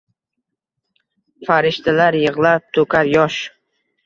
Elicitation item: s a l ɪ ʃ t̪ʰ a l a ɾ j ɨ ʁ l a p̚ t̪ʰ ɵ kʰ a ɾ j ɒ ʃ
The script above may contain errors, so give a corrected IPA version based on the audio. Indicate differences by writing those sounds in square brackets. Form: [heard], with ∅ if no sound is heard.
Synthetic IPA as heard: [f] a [ɾ] ɪ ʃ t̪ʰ a l a ɾ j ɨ ʁ l a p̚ t̪ʰ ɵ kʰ a ɾ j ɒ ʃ